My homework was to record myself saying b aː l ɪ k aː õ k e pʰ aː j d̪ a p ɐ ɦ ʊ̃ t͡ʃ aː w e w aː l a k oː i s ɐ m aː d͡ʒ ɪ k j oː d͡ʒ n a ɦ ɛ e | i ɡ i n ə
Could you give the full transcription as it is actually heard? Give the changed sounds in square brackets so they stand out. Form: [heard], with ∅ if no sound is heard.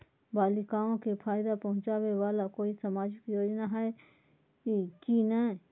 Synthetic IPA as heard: b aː l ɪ k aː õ k e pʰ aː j d̪ a p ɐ ɦ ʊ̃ t͡ʃ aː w e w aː l a k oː i s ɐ m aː d͡ʒ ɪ k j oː d͡ʒ n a ɦ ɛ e | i [k] i n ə